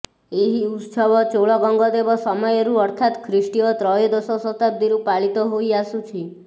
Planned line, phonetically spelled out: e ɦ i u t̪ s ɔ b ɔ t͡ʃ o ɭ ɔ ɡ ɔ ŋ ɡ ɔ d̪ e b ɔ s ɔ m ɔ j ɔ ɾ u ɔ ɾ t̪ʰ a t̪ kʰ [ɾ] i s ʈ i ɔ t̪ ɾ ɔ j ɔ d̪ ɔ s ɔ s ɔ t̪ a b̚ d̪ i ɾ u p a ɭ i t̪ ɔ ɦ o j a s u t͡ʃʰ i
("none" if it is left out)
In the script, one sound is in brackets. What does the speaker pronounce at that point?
ɾ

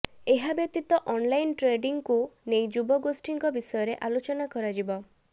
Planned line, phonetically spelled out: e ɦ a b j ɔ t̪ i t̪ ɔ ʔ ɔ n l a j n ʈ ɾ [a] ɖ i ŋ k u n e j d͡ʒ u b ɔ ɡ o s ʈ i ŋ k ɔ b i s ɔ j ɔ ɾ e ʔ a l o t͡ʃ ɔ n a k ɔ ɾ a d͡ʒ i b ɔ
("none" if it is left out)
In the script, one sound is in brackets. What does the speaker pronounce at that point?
e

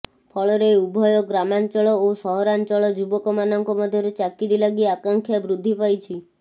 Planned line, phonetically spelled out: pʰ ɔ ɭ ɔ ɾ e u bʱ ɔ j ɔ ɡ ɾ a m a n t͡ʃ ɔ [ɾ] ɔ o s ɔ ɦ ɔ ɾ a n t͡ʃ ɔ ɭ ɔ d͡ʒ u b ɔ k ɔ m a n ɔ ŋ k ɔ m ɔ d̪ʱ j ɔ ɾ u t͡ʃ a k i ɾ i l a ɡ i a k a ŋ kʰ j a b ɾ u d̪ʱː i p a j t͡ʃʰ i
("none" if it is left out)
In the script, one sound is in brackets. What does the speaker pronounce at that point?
ɭ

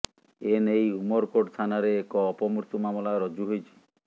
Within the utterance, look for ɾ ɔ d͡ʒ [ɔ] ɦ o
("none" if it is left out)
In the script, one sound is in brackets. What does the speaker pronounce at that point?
u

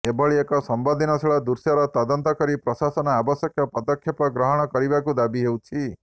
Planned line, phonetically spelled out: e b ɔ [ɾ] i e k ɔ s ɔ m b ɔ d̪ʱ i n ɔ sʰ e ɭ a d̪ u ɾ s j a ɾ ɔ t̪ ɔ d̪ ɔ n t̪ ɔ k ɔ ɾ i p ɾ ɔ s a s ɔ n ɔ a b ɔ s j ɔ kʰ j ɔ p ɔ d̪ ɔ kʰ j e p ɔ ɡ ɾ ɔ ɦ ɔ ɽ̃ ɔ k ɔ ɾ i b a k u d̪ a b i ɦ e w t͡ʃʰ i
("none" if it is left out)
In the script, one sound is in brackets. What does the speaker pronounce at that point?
ɭ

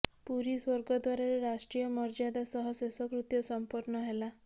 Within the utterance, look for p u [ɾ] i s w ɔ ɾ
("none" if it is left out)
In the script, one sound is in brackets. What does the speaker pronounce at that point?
ɾ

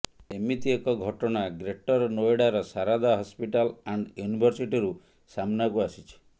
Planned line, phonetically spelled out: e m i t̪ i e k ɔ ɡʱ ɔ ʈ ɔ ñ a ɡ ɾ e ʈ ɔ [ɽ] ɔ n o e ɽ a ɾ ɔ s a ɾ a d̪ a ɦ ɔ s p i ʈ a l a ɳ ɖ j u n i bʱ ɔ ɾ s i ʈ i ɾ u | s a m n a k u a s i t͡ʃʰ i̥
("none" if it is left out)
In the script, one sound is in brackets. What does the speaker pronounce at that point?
ɾ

